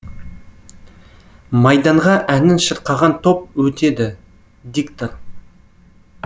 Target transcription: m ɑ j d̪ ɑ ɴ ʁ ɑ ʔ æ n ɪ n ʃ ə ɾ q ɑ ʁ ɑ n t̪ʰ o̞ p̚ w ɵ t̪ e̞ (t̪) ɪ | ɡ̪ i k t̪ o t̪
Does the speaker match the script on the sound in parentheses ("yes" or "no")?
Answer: no